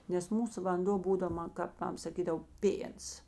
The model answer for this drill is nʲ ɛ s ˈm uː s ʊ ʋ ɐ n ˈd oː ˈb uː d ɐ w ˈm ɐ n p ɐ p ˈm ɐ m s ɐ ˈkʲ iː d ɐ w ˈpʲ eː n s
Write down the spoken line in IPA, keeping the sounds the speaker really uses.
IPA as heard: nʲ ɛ s ˈm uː s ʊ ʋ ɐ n ˈd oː ˈb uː d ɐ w ˈm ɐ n k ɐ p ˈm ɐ m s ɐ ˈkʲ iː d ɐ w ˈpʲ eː n s